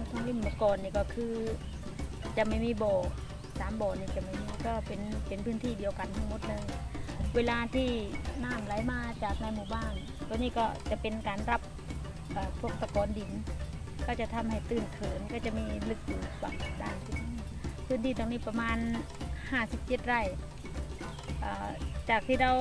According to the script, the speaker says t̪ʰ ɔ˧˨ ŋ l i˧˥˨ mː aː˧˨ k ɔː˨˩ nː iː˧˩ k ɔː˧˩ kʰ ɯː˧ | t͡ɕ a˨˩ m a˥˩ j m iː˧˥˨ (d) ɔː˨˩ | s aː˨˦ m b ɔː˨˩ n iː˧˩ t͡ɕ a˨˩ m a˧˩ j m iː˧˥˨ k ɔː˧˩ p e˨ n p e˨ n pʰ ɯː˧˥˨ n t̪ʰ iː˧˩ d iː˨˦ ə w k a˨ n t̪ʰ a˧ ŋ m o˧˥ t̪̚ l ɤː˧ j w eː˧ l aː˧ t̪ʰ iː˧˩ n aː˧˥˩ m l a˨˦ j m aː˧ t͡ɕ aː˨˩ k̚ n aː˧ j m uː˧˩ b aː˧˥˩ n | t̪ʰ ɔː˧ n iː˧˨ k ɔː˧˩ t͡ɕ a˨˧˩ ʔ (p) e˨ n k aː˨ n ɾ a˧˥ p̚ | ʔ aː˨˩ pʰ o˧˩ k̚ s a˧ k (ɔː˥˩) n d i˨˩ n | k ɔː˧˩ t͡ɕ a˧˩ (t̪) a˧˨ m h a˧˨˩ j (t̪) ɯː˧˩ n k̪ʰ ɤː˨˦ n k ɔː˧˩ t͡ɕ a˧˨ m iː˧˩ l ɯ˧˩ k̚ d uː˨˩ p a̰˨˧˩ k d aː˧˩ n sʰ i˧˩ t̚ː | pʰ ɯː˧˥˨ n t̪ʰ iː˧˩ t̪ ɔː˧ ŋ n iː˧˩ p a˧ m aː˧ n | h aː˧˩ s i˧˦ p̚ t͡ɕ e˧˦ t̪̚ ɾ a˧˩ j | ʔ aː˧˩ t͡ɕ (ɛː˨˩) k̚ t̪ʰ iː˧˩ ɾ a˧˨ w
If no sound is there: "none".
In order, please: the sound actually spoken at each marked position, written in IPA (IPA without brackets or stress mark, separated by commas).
b, p, ɔː˨˦, t̪ʰ, t̪, aː˨˩